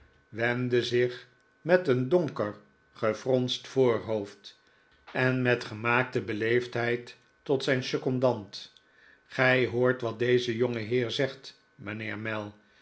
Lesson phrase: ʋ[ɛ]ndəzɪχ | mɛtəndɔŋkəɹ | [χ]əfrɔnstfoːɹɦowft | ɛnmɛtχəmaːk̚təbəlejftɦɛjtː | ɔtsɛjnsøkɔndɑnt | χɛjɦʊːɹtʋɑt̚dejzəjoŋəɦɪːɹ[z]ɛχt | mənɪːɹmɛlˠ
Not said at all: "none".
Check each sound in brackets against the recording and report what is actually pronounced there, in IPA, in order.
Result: ɛ, χ, z

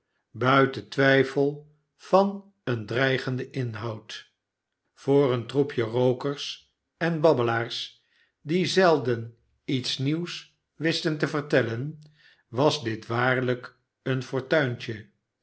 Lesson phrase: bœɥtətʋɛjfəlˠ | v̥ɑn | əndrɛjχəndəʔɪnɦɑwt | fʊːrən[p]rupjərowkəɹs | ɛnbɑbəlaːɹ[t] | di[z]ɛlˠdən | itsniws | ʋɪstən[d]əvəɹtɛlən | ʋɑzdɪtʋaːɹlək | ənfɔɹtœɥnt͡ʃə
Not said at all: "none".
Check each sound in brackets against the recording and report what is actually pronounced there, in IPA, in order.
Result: t, s, z, t

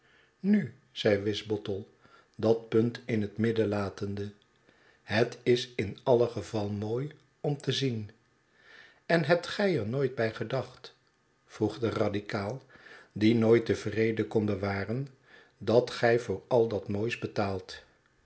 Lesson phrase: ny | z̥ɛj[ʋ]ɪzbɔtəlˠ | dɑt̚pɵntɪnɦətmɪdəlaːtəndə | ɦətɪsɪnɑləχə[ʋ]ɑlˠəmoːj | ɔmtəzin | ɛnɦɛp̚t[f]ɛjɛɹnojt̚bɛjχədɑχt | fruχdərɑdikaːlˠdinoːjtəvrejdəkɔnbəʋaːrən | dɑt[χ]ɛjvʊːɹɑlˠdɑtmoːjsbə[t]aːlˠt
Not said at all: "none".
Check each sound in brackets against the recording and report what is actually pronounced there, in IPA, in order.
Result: ʋ, v, χ, χ, t

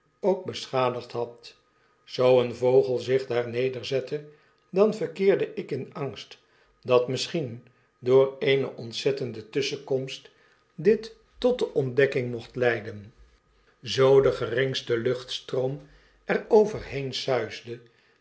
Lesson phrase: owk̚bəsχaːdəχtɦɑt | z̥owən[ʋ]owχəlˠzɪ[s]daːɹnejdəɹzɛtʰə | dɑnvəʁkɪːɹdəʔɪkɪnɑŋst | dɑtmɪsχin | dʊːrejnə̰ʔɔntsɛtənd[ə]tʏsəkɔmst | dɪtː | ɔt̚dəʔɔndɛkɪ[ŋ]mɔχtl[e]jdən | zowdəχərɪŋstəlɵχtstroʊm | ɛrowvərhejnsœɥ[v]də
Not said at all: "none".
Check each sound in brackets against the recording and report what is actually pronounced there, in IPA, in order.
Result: v, χ, ə, ŋ, ɛ, z

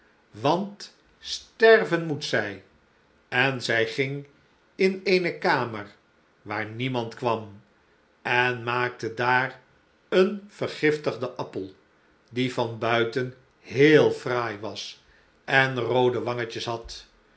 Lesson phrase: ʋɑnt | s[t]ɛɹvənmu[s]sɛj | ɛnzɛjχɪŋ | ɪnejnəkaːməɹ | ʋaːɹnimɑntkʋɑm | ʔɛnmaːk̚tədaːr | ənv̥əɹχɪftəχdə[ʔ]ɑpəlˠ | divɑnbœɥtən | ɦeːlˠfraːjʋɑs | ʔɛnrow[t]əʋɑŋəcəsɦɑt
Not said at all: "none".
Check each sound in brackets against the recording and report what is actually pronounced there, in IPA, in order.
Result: t, t, ʔ, d

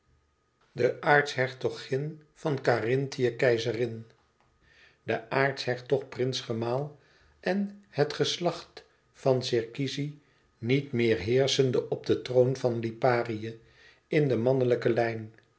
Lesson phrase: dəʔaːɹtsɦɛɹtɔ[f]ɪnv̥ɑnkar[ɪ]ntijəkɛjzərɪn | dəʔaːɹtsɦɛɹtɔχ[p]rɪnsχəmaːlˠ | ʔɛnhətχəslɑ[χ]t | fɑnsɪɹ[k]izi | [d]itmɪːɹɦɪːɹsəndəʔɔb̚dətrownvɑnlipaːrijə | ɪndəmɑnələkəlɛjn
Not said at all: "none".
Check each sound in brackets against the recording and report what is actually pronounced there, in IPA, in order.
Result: χ, ɪ, p, χ, k, n

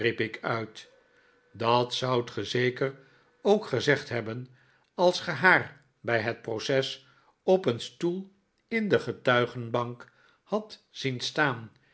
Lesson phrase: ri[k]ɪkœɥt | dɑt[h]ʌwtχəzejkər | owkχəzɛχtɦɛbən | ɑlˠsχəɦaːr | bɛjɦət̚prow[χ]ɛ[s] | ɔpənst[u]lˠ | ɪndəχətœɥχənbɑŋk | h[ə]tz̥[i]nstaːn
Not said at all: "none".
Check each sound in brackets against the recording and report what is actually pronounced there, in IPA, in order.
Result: p, s, s, s, u, ɑ, i

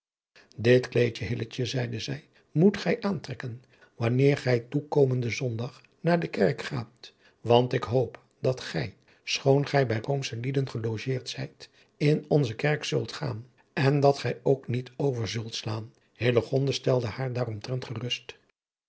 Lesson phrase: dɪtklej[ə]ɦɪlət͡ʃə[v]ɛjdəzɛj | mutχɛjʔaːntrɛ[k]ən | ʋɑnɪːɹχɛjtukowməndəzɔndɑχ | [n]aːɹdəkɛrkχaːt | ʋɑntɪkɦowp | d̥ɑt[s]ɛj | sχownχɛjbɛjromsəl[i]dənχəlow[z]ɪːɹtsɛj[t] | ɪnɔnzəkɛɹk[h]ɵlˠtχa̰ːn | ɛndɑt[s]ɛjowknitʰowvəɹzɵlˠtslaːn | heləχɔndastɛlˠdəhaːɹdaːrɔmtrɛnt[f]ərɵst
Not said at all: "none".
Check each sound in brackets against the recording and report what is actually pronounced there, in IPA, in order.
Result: ə, z, k, n, χ, i, ʒ, t, s, χ, χ

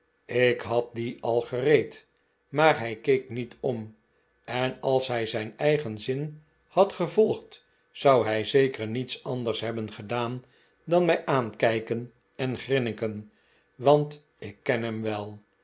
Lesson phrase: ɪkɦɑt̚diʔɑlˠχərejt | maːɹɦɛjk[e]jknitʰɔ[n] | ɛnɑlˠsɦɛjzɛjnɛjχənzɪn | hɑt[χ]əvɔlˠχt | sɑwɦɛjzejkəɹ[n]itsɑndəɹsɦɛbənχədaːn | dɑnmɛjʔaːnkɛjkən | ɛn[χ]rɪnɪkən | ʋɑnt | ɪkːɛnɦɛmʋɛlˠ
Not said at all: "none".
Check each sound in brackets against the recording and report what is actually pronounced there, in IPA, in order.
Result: e, m, χ, n, χ

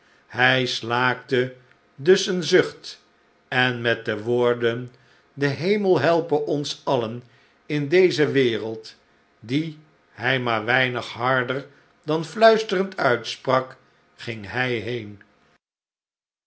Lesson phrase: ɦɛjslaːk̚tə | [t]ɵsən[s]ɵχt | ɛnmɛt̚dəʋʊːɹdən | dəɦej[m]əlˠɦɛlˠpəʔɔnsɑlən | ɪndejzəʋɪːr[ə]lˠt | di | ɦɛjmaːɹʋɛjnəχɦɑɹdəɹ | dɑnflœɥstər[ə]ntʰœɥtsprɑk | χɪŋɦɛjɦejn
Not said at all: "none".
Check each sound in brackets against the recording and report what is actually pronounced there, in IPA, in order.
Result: d, z, m, ə, ə

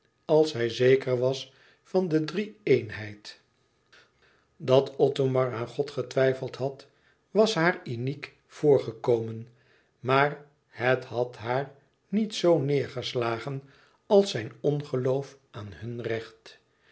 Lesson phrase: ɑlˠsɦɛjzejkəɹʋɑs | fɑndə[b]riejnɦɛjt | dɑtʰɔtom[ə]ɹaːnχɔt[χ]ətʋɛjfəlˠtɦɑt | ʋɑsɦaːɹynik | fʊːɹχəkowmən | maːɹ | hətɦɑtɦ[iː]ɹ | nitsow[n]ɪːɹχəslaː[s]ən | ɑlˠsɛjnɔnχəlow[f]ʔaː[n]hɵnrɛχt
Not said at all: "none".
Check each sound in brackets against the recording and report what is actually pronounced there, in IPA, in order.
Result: d, ɑ, χ, aː, n, χ, f, n

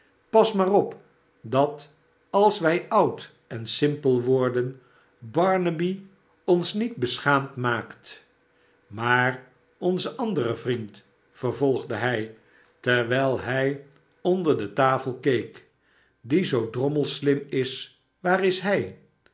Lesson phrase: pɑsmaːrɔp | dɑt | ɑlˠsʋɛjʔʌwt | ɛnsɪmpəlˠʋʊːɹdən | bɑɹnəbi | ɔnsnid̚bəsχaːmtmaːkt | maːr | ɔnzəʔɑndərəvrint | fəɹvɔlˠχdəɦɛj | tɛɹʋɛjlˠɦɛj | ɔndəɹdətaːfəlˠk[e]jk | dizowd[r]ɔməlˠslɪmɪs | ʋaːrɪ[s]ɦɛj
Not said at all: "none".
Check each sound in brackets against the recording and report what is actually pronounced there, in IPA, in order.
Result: e, r, s

